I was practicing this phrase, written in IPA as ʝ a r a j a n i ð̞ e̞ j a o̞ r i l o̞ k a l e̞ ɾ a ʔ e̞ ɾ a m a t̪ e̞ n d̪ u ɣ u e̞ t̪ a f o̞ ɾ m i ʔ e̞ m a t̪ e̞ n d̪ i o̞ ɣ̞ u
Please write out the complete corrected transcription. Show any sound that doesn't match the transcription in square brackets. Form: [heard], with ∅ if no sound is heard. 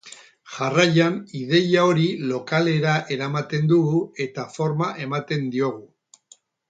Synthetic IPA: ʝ a r a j a n i ð̞ e̞ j a o̞ [ɾ] i l o̞ k a l e̞ ɾ a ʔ e̞ ɾ a m a t̪ e̞ n d̪ u ɣ u e̞ t̪ a f o̞ ɾ m [a] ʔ e̞ m a t̪ e̞ n d̪ i o̞ ɣ̞ u